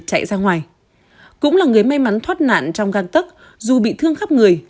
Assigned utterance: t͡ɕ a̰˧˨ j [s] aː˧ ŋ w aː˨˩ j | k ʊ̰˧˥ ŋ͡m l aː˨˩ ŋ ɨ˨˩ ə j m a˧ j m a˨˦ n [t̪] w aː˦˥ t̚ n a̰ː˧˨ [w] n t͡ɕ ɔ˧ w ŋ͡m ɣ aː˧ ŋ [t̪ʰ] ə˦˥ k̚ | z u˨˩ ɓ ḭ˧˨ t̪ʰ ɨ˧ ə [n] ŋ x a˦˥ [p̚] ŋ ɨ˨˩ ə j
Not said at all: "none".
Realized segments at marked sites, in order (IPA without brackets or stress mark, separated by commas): z, t̪ʰ, none, t̪, none, p̚